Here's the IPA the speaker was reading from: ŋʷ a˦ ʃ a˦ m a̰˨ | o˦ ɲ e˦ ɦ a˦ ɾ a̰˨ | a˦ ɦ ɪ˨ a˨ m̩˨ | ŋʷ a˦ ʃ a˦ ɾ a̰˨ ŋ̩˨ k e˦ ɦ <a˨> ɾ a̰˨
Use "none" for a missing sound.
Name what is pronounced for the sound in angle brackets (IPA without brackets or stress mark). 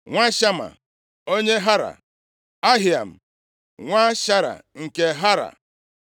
a˦